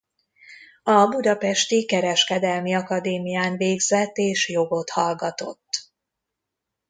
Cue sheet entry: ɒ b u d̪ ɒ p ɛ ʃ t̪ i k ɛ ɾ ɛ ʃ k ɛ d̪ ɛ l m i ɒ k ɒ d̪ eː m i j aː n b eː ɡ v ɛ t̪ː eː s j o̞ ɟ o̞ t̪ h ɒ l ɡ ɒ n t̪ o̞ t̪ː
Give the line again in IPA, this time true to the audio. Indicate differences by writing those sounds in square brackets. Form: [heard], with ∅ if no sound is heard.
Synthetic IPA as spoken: ɒ b u d̪ ɒ p ɛ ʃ t̪ i k ɛ ɾ ɛ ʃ k ɛ d̪ ɛ l m i ɒ k ɒ d̪ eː m i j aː n [v] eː ɡ [z] ɛ t̪ː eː [ʃ] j o̞ [ɡ] o̞ t̪ h ɒ l ɡ ɒ [∅] t̪ o̞ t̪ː